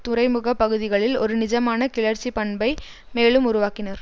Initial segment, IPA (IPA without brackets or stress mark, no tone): t̪